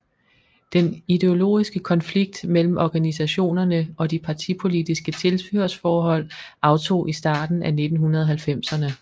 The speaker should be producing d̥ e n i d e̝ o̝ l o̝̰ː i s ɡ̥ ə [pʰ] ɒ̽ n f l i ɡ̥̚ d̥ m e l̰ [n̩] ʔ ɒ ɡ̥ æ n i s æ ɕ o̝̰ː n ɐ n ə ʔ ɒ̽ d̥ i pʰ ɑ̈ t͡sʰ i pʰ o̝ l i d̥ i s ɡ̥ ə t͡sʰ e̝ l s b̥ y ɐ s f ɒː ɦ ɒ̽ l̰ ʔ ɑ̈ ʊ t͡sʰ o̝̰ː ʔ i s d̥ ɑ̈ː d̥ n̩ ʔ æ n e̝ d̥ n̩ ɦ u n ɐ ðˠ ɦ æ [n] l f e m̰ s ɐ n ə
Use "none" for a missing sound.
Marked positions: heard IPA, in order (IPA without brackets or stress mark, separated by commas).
kʰ, m̩, none